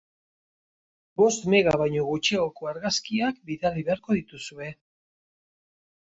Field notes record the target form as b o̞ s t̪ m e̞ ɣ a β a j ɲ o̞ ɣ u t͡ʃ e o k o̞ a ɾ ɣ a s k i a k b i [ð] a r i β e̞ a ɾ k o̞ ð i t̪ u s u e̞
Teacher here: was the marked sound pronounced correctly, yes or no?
yes